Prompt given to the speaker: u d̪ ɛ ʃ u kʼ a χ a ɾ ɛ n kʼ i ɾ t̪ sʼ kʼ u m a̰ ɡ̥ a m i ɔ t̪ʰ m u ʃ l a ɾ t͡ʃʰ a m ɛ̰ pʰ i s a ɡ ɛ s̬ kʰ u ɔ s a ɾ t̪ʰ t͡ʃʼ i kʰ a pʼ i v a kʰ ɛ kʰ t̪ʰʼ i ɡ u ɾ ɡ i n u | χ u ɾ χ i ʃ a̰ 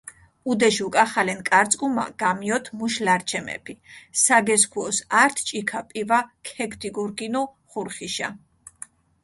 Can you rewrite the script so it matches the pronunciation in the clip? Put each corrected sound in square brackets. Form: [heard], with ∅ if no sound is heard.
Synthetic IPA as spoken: u d̪ ɛ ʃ u kʼ a χ a [l] ɛ n kʼ [a] ɾ t̪ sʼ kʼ u m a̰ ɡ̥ a m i ɔ t̪ʰ m u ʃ l a ɾ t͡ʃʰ [ɛ] m ɛ̰ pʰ i s a ɡ ɛ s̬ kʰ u ɔ s a ɾ t̪ʰ t͡ʃʼ i kʰ a pʼ i v a kʰ ɛ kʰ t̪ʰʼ i ɡ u ɾ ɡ i n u | χ u ɾ χ i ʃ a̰